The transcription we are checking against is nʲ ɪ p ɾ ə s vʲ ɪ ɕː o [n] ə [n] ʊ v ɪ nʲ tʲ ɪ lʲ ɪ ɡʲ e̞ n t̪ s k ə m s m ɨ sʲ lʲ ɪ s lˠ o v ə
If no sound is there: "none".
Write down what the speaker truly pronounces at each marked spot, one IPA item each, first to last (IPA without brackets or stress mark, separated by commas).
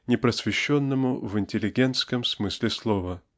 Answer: nː, m